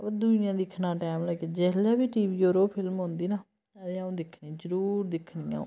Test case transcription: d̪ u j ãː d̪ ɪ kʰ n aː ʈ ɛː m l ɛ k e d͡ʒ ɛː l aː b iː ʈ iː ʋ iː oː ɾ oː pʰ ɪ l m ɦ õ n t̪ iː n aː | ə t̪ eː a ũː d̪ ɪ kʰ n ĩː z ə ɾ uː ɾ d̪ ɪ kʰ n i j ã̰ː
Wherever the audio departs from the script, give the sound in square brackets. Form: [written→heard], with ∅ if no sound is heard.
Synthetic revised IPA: d̪ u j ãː d̪ ɪ kʰ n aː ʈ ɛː m l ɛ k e d͡ʒ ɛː l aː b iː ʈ iː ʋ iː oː ɾ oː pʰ ɪ l m ɦ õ n [t̪→d̪] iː n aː | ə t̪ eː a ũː d̪ ɪ kʰ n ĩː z ə ɾ uː ɾ d̪ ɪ kʰ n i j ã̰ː